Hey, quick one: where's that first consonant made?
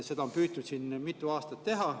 tongue tip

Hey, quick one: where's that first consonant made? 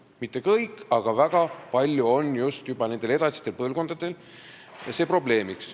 lips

